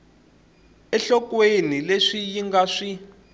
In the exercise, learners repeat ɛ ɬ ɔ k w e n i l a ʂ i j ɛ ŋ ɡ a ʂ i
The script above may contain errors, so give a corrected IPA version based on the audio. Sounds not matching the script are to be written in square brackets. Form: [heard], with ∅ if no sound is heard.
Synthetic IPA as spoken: ɛ ɬ ɔ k w e n i l [e] ʂ i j [i] ŋ ɡ a ʂ i